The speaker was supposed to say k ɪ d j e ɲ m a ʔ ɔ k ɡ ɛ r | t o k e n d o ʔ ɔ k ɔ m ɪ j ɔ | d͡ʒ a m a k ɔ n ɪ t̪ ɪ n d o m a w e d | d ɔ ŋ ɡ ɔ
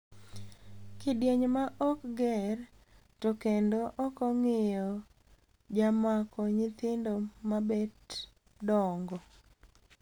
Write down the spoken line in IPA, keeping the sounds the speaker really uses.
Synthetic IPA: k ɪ d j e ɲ m a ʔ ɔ k ɡ ɛ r | t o k e n d o ʔ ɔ k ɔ ŋ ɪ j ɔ | d͡ʒ a m a k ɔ ɲ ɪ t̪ ɪ n d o m a b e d | d ɔ ŋ ɡ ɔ